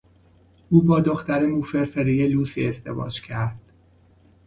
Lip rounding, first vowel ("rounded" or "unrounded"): rounded